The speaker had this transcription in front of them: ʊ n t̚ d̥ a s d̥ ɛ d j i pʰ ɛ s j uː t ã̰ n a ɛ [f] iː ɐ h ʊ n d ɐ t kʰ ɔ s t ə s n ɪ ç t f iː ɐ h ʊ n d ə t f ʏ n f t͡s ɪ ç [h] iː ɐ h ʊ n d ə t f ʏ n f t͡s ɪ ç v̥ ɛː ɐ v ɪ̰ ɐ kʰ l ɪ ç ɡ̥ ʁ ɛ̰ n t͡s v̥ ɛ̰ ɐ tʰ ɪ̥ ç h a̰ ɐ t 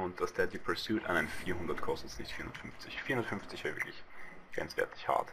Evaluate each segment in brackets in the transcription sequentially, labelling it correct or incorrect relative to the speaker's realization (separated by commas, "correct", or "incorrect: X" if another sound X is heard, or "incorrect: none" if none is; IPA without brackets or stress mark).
correct, incorrect: f